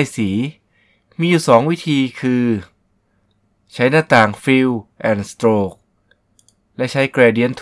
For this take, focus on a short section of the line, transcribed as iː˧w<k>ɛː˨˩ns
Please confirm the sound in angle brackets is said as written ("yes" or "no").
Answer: no